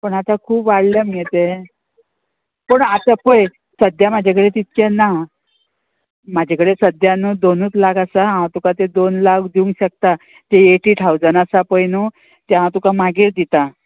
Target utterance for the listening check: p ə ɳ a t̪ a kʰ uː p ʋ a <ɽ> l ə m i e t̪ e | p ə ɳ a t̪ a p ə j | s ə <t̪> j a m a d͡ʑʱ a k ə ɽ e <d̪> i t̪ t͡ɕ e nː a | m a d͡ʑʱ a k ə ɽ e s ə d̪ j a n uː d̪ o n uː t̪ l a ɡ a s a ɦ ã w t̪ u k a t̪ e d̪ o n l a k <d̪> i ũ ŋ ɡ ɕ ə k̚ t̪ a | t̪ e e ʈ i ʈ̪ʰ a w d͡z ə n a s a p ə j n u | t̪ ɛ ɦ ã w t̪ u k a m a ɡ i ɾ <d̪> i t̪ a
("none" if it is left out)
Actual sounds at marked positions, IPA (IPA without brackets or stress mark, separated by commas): ɽ, d̪, t̪, d̪, d̪